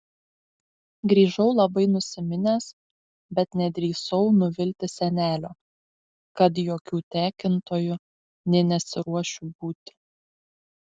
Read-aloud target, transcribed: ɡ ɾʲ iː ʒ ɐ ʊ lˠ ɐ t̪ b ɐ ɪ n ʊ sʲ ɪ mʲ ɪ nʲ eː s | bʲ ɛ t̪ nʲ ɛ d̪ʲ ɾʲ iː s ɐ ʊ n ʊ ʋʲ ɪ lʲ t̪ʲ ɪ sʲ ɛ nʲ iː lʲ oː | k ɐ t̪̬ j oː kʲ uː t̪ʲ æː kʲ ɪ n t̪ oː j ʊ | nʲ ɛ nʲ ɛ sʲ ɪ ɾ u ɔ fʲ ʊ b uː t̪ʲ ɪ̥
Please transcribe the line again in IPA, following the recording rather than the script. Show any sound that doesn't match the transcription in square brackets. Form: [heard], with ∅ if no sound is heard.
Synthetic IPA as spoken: ɡ ɾʲ iː ʒ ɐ ʊ lˠ ɐ [∅] b ɐ ɪ n ʊ sʲ ɪ mʲ ɪ nʲ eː s | bʲ ɛ t̪ nʲ ɛ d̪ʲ ɾʲ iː s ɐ ʊ n ʊ ʋʲ ɪ lʲ t̪ʲ ɪ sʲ ɛ nʲ [æː] lʲ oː | k ɐ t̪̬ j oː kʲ uː t̪ʲ æː kʲ ɪ n t̪ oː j ʊ | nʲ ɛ nʲ ɛ sʲ ɪ ɾ u ɔ [ʃʲ] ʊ b uː t̪ʲ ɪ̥